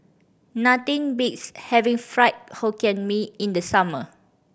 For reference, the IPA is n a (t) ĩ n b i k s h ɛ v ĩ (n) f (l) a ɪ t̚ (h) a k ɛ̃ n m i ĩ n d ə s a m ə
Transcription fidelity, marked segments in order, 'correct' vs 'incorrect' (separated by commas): correct, incorrect, incorrect, correct